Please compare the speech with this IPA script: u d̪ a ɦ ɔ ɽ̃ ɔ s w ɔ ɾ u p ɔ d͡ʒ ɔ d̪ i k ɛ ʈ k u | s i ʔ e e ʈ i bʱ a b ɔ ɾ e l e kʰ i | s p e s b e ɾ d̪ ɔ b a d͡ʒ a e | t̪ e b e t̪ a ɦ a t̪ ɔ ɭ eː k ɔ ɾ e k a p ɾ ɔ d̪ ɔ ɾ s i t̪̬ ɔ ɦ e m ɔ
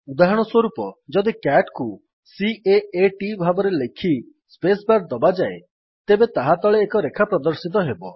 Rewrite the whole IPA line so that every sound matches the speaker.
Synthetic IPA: u d̪ a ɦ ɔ ɽ̃ ɔ s w ɔ ɾ u p ɔ d͡ʒ ɔ d̪ i k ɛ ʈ k u | s i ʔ e e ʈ i bʱ a b ɔ ɾ e l e kʰ i | s p e s b a ɾ d̪ ɔ b a d͡ʒ a e | t̪ e b e t̪ a ɦ a t̪ ɔ ɭ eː k ɔ ɾ e kʰ a p ɾ ɔ d̪ ɔ ɾ s i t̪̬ ɔ ɦ e b ɔ